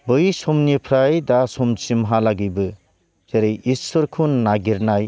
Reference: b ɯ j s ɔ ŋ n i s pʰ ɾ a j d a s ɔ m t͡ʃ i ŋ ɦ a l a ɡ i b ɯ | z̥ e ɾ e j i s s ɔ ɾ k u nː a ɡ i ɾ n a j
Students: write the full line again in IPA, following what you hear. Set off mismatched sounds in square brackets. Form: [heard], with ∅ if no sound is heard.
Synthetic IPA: b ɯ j s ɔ [m] n i [∅] pʰ ɾ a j d a s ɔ m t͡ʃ i [m] ɦ a l a ɡ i b ɯ | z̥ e ɾ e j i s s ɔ ɾ [kʰ] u nː a ɡ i ɾ n a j

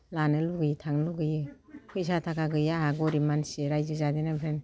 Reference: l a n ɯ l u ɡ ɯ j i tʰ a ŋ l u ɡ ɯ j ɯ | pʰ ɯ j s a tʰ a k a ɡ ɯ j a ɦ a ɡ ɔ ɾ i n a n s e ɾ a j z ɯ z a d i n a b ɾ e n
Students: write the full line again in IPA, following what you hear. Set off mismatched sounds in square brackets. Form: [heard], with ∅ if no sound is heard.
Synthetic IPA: l a n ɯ l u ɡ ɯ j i tʰ a ŋ l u ɡ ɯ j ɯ | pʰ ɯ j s a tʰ a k a ɡ ɯ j a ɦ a ɡ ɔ ɾ i [m] a n s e ɾ a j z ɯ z a d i n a b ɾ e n

